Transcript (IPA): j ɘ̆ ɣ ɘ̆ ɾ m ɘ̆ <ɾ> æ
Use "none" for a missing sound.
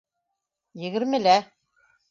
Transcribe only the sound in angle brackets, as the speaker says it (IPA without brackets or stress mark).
l